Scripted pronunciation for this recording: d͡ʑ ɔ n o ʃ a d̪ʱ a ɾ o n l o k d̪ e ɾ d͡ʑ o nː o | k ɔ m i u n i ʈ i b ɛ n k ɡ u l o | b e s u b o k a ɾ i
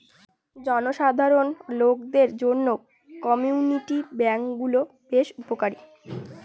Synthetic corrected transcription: d͡ʑ ɔ n o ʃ a d̪ʱ a ɾ o n l o k d̪ e ɾ d͡ʑ o nː o | k ɔ m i u n i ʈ i b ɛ ŋ k ɡ u l o | b e ʃ u p o k a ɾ i